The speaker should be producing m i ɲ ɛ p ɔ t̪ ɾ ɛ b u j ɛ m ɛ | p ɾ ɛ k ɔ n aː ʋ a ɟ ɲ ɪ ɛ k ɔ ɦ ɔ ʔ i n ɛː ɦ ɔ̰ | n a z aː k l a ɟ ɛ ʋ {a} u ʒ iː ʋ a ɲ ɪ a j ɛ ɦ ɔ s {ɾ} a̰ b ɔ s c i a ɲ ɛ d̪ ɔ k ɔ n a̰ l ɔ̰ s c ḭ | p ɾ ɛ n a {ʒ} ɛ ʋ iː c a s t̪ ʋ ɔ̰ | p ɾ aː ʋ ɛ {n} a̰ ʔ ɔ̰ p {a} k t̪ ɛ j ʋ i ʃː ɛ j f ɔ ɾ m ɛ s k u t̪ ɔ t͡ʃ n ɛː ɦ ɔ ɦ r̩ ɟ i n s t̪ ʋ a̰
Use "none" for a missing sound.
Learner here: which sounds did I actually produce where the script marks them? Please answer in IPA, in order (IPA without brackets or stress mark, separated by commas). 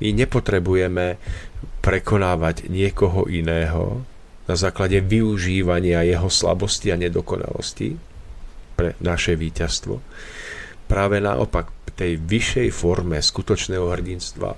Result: i, l, ʃ, n, a